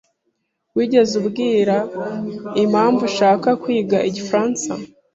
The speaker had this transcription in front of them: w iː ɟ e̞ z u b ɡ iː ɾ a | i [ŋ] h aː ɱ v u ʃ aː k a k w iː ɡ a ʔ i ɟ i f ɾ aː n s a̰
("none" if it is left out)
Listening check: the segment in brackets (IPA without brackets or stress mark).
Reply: m